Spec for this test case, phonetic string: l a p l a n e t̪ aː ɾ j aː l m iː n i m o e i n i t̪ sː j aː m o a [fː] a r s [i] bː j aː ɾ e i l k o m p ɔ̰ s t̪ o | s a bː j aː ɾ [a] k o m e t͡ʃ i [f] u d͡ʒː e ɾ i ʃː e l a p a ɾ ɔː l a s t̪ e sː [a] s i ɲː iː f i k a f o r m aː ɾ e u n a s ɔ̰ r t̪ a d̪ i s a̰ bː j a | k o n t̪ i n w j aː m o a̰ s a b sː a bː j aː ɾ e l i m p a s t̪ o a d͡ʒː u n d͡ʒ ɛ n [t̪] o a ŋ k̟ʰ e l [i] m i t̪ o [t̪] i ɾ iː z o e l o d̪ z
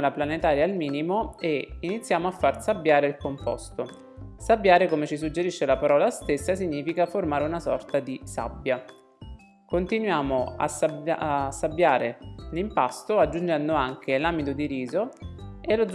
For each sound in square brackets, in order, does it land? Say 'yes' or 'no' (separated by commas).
yes, no, no, no, yes, no, no, no